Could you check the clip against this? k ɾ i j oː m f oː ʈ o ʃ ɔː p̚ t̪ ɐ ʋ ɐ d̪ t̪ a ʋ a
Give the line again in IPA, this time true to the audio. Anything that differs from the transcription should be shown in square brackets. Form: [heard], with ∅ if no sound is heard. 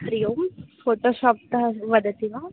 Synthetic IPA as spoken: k ɾ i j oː m f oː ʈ o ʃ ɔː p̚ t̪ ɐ ʋ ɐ d̪ t̪ [i] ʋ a